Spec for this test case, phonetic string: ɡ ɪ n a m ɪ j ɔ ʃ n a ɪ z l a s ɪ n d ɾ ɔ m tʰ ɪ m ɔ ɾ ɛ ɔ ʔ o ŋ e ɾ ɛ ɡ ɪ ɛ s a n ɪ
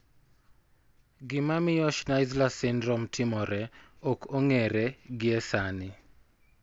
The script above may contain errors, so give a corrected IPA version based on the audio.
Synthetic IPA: ɡ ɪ m a m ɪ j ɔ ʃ n a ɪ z l a s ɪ n d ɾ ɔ m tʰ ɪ m ɔ ɾ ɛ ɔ k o ŋ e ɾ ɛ ɡ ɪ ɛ s a n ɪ

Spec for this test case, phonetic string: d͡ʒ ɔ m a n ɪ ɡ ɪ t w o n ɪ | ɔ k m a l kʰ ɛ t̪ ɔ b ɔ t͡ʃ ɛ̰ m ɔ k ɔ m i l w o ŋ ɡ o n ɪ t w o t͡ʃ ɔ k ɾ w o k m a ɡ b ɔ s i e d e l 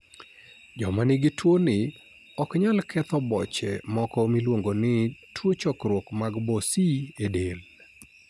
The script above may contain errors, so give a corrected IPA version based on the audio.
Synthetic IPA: d͡ʒ ɔ m a n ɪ ɡ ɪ t w o n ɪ | ɔ k ɲ a l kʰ ɛ t̪ ɔ b ɔ t͡ʃ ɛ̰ m ɔ k ɔ m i l w o ŋ ɡ o n ɪ t w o t͡ʃ ɔ k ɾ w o k m a ɡ b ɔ s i e d e l

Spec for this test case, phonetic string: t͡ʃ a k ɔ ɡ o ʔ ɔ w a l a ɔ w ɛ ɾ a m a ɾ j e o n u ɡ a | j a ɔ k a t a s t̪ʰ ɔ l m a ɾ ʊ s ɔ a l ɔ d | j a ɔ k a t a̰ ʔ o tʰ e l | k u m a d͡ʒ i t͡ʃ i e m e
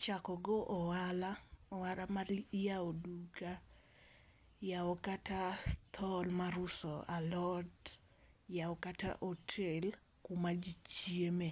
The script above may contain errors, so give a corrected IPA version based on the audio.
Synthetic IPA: t͡ʃ a k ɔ ɡ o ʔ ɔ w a l a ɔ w a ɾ a m a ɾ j a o d u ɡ a | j a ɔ k a t a s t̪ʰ ɔ l m a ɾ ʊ s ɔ a l ɔ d | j a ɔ k a t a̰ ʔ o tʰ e l | k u m a d͡ʒ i t͡ʃ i e m e

